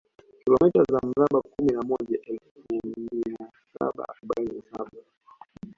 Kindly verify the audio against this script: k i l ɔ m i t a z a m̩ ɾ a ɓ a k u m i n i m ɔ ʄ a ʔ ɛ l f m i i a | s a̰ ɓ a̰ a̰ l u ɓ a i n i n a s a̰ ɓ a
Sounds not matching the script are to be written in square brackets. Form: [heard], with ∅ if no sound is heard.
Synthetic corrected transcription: k i l ɔ m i t a z a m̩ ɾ a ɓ a k u m i n [a] m ɔ ʄ a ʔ ɛ l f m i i a | s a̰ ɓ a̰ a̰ [ɾ] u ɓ a i n i n a s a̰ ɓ a